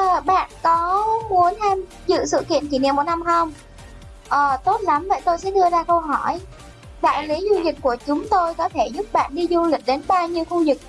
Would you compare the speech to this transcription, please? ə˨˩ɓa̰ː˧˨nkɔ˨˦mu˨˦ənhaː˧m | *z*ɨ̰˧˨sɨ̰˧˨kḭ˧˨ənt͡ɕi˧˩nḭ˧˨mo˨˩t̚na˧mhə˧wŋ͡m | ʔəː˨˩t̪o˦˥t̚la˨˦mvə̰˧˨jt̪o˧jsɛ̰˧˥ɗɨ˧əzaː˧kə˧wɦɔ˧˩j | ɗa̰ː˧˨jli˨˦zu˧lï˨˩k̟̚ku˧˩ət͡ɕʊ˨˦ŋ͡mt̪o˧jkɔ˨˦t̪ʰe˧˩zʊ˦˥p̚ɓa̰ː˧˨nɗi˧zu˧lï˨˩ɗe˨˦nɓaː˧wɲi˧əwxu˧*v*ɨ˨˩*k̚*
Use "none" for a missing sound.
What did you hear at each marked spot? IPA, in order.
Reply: z, z, k̚

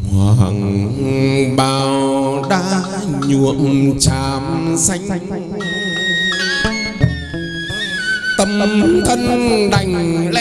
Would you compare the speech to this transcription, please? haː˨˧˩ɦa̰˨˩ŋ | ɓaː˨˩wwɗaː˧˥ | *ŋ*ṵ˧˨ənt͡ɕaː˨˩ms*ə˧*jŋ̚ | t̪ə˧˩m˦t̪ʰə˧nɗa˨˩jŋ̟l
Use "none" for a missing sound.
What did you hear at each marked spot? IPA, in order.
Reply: ɲ, a˧

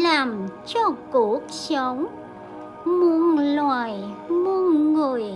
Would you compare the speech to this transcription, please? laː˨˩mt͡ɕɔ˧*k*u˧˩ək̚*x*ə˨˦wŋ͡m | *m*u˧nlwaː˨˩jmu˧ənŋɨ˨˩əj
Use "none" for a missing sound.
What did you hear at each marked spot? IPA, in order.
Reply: k, s, m

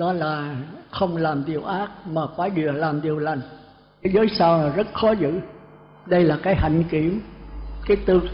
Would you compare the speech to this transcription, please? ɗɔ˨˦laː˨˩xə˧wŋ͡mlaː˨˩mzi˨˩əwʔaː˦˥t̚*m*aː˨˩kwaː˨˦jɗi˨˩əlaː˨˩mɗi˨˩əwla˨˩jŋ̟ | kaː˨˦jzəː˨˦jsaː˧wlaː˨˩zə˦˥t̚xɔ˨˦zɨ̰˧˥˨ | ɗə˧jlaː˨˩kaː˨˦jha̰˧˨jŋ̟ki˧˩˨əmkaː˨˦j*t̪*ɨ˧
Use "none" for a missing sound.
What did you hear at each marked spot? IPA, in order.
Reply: m, t̪

